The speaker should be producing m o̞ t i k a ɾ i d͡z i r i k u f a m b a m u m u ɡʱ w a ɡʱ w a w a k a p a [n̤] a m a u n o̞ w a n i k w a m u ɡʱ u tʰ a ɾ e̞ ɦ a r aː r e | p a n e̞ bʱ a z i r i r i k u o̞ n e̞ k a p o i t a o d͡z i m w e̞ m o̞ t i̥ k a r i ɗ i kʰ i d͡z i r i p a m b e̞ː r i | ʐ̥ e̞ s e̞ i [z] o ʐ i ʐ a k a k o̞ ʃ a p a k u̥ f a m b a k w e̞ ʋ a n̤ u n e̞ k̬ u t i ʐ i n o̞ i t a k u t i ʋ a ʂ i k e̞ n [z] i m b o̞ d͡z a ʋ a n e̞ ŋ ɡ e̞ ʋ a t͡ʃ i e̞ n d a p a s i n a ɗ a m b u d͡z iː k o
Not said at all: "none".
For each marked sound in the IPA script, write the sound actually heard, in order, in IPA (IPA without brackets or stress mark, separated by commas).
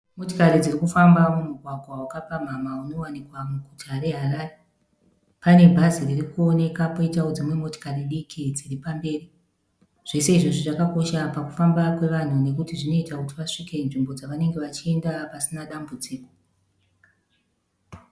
m̤, ʐ, ʐ